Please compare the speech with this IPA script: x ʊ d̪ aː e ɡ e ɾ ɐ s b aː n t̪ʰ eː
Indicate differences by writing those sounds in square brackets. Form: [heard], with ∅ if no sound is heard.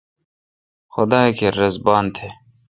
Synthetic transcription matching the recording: x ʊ d̪ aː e [k] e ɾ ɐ [z] b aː n t̪ʰ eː